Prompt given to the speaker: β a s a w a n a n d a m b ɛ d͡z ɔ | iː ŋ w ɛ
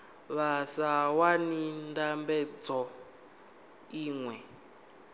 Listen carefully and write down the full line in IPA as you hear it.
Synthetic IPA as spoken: β a s a w a n i n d a m b ɛ d͡z ɔ | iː ŋ w ɛ